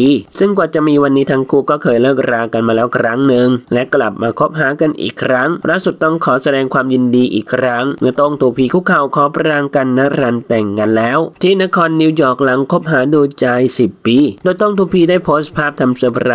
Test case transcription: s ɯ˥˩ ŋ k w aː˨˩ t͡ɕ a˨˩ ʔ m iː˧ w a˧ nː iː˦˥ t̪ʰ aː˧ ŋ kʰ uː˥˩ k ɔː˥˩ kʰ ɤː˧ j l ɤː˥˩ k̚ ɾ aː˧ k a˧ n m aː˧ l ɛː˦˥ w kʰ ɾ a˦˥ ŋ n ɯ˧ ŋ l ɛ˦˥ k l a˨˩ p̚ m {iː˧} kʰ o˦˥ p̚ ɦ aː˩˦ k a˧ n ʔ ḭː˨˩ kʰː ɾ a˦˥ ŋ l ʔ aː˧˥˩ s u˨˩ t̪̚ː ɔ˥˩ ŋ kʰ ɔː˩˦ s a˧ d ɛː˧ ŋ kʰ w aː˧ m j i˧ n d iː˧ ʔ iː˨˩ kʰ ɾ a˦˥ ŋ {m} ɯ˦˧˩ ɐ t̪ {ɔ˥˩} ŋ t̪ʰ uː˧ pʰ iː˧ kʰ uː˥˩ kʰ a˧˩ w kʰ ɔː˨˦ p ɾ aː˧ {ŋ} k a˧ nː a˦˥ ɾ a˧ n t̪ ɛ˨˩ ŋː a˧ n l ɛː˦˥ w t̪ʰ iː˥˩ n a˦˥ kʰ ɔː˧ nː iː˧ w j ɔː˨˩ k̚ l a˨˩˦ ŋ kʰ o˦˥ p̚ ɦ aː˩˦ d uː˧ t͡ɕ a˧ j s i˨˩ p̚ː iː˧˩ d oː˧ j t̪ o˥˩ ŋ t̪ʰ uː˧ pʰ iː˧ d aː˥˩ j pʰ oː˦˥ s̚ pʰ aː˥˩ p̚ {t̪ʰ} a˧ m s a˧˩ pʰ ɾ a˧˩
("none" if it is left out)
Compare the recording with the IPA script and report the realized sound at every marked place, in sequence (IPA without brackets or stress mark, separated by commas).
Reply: aː˧, m, o˥˩, ŋ, t̪ʰ